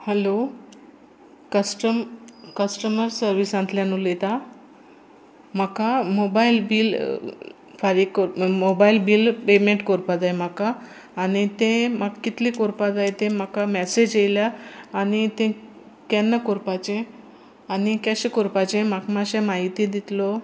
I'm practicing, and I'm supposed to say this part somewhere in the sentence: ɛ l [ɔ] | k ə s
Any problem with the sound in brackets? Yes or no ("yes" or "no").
yes